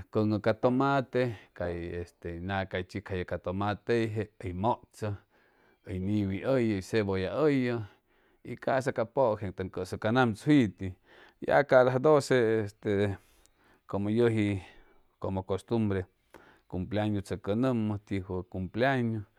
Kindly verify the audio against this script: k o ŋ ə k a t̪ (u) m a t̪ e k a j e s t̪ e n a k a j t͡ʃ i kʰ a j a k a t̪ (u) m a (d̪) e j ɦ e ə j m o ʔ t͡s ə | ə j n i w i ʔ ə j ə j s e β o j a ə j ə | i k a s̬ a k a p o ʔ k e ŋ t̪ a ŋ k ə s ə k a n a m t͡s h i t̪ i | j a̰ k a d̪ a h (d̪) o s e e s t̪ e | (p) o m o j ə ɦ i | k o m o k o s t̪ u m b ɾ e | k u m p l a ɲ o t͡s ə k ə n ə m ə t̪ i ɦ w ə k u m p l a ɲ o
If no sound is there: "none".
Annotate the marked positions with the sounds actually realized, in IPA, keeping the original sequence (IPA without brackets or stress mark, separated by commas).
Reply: o, o, t̪, d̪, k